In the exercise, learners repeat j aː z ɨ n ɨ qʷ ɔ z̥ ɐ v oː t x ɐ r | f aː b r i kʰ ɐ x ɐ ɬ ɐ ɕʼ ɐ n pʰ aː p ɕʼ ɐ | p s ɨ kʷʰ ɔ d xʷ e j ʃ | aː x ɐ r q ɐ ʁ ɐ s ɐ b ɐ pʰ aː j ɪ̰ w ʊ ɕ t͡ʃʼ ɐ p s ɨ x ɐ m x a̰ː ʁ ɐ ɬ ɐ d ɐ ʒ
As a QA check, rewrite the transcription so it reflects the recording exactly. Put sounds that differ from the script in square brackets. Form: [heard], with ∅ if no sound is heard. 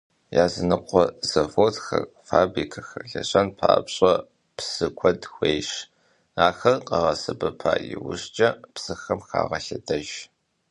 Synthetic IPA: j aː z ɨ n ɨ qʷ ɔ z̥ ɐ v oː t x ɐ r | f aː b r i kʰ ɐ x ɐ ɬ ɐ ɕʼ ɐ n pʰ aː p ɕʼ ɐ | p s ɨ kʷʰ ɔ d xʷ e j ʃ | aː x ɐ r q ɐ ʁ ɐ s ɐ b ɐ pʰ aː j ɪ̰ w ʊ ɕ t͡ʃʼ ɐ p s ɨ x ɐ m x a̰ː ʁ ɐ ɬ ɐ d ɐ ʒ

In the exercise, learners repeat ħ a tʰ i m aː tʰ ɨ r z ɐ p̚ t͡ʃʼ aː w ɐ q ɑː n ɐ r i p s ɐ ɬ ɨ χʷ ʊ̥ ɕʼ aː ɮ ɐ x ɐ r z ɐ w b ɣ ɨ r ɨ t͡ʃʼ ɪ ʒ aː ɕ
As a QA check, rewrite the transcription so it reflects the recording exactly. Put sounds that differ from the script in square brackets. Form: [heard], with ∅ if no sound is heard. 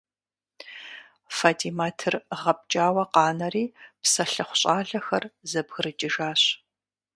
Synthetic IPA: [f] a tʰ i m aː tʰ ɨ r [ʁ] ɐ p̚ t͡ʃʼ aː w ɐ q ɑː n ɐ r [iː] p s ɐ ɬ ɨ χʷ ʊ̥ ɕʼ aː ɮ ɐ x ɐ r z ɐ [∅] b ɣ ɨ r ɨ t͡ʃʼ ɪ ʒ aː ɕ

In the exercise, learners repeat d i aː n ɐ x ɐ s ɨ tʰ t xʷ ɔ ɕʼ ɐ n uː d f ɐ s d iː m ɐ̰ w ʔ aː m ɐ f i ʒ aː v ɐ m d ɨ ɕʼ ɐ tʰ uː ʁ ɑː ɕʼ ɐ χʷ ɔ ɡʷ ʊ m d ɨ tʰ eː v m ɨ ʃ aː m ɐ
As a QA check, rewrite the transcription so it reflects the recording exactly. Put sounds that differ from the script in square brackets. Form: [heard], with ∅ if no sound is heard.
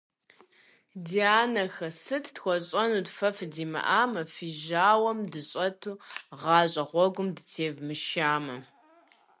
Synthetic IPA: d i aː n ɐ x ɐ s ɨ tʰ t xʷ ɔ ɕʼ ɐ n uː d f ɐ [f] d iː m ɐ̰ [∅] ʔ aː m ɐ f i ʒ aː [w] ɐ m d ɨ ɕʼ ɐ tʰ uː ʁ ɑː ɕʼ ɐ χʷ ɔ ɡʷ ʊ m d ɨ tʰ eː v m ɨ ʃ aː m ɐ

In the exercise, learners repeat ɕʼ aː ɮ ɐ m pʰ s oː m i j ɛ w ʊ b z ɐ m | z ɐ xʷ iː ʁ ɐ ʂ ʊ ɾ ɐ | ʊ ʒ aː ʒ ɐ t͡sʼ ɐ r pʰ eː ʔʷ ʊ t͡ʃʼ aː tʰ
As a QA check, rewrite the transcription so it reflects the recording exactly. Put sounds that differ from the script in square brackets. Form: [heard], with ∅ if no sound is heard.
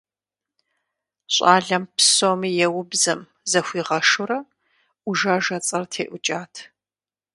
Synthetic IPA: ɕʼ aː ɮ ɐ m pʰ s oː m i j ɛ w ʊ b z ɐ m | z ɐ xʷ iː ʁ ɐ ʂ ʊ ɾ ɐ | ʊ ʒ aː ʒ ɐ t͡sʼ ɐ r [tʰ] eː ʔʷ ʊ t͡ʃʼ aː tʰ

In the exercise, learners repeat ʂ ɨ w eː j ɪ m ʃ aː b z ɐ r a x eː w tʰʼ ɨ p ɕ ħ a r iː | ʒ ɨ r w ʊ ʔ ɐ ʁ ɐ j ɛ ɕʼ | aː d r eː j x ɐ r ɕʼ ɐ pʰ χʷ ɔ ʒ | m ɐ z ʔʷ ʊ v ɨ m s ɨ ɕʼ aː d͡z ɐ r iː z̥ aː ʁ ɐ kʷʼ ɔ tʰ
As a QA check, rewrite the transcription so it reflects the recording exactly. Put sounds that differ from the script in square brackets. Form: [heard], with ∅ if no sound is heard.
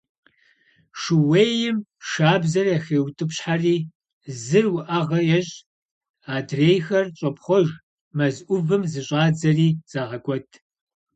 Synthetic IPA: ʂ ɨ w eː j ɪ m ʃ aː b z ɐ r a x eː w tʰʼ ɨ p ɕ ħ a r iː | [z] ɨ r w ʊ ʔ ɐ ʁ ɐ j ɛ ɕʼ | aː d r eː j x ɐ r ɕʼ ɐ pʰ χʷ ɔ ʒ | m ɐ z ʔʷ ʊ v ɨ m [z] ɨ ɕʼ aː d͡z ɐ r iː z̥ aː ʁ ɐ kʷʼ ɔ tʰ

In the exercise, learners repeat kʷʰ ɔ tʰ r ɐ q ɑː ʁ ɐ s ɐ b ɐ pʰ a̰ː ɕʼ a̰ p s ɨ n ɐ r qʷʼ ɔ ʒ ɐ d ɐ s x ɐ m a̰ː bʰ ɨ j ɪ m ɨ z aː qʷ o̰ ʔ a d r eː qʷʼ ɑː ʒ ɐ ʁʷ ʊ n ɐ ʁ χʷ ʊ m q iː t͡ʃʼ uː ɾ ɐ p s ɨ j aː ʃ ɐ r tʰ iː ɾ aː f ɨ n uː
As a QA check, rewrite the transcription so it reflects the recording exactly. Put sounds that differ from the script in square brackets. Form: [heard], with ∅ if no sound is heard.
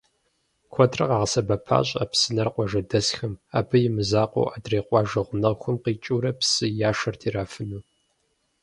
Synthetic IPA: kʷʰ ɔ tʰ r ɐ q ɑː ʁ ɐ s ɐ b ɐ pʰ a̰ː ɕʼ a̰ p s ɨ n ɐ r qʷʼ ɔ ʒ ɐ d ɐ s x ɐ m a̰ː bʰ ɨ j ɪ m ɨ z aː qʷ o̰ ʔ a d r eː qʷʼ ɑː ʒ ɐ ʁʷ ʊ n ɐ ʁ [xʷ] ʊ m q iː t͡ʃʼ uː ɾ ɐ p s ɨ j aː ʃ ɐ r tʰ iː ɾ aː f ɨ n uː

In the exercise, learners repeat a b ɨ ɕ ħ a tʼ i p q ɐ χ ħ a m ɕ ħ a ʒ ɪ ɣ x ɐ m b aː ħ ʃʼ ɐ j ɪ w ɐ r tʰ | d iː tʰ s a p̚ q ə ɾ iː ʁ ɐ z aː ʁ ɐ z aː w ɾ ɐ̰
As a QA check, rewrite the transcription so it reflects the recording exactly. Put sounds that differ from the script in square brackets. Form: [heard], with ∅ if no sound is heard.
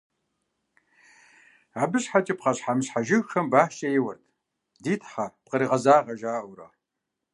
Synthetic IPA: a b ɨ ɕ ħ a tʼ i p q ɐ [ɕ] ħ a m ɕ ħ a ʒ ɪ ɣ x ɐ m b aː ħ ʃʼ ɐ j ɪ w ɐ r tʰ | d iː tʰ [ħ] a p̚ q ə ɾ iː ʁ ɐ z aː ʁ ɐ [ʒ] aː w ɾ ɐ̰

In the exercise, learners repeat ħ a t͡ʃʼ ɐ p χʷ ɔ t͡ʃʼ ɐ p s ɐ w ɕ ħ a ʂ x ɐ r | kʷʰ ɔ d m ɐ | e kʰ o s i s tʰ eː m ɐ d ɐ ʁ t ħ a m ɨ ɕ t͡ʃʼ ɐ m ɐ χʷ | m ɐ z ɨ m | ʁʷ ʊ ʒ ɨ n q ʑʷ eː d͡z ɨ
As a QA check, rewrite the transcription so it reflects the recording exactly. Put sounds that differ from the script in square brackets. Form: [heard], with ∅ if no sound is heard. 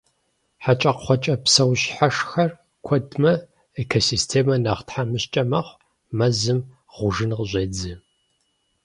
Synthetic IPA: ħ a t͡ʃʼ ɐ [q] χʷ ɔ t͡ʃʼ ɐ p s ɐ w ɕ ħ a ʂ x ɐ r | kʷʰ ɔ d m ɐ | e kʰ o s i s tʰ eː m ɐ [n] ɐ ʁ t ħ a m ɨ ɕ t͡ʃʼ ɐ m ɐ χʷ | m ɐ z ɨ m | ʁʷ ʊ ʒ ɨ n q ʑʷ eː d͡z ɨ

